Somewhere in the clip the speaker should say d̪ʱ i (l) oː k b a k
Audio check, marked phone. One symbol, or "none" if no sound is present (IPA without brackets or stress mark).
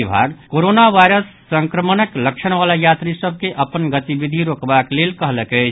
ɾ